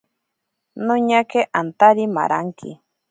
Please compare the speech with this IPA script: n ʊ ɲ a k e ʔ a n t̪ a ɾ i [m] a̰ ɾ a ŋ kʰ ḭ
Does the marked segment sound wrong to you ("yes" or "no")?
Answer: no